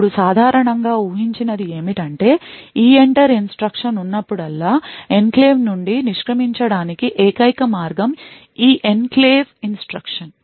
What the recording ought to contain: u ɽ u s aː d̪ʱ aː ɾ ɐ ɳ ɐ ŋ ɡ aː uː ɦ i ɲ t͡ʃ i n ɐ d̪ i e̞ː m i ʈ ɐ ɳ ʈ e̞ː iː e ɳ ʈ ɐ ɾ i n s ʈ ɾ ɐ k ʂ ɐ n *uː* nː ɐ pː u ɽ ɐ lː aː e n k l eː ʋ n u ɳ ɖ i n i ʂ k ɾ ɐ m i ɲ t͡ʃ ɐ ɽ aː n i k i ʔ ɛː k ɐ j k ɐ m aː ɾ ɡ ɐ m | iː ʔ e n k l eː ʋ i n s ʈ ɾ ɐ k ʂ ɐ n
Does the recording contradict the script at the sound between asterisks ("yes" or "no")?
yes